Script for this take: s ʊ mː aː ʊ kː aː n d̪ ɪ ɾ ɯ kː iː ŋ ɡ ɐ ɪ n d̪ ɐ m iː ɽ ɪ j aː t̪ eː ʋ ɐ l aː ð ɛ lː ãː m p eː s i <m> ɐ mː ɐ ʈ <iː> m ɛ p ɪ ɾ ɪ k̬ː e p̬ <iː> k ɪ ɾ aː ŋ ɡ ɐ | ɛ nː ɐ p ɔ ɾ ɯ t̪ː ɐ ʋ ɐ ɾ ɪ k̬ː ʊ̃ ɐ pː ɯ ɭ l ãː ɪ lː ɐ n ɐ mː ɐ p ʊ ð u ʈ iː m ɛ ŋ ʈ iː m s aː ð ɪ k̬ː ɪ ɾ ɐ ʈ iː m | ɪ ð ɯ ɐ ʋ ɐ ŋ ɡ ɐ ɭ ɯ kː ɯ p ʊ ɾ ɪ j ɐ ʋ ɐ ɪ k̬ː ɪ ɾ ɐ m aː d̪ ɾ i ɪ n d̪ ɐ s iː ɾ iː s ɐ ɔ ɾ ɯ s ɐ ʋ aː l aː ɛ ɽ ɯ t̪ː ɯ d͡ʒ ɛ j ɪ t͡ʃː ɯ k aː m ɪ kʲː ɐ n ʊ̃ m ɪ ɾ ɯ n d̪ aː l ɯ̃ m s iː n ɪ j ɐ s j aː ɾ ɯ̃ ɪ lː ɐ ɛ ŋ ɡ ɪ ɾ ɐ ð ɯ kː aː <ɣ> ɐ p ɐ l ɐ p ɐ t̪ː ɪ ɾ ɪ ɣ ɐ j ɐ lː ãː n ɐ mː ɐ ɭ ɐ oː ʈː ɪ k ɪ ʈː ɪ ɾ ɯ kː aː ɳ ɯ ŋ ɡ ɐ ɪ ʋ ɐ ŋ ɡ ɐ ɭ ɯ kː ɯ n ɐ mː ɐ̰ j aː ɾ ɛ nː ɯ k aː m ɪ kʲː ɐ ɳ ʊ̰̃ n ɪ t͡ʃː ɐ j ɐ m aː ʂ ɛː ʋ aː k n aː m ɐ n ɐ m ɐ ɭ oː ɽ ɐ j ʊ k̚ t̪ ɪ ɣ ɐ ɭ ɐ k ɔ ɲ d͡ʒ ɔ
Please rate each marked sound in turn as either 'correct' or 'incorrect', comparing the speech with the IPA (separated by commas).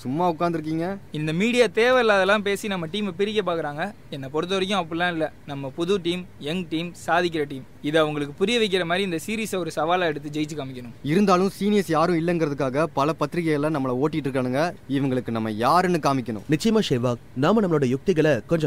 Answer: incorrect, correct, incorrect, correct